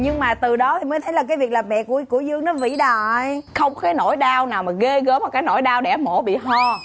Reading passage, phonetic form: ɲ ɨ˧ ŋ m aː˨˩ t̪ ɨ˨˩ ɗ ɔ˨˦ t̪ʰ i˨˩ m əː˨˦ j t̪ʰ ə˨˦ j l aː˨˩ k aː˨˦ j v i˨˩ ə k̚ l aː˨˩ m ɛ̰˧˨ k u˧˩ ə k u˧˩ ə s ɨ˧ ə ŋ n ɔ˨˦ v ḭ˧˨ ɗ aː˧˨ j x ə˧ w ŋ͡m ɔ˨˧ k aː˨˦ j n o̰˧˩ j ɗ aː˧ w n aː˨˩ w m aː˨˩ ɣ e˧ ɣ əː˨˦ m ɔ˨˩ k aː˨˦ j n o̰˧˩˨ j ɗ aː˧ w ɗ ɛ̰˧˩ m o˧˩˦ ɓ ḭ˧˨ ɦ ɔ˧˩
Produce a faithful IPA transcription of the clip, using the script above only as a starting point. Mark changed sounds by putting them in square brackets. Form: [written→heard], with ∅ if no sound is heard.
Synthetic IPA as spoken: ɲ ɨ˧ ŋ m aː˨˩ t̪ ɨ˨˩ ɗ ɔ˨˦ t̪ʰ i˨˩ m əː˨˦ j t̪ʰ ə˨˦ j l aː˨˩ k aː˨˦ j v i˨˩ ə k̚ l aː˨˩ m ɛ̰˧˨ k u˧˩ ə k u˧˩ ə [s→z] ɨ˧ ə ŋ n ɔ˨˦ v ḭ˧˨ ɗ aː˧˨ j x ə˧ w ŋ͡m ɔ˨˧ k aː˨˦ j n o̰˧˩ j ɗ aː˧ w n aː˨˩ w m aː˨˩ ɣ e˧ ɣ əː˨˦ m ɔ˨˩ k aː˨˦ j n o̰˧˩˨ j ɗ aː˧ w ɗ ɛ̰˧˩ m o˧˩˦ ɓ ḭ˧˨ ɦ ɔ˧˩